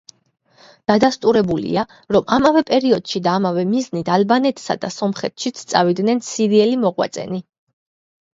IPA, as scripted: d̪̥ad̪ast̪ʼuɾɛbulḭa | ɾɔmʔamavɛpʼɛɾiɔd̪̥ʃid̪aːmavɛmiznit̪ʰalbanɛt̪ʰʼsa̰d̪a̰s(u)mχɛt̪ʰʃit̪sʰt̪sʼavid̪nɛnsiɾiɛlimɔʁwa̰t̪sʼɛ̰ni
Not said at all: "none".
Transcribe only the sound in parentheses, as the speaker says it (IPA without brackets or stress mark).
ɔ